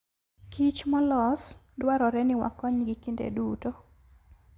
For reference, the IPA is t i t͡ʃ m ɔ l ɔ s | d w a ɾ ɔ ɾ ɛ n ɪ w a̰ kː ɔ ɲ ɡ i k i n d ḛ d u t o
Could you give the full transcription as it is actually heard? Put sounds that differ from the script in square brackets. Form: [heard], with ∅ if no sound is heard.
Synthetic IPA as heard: [k] i t͡ʃ m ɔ l ɔ s | d w a ɾ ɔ ɾ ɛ n ɪ w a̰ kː ɔ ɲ ɡ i k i n d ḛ d u t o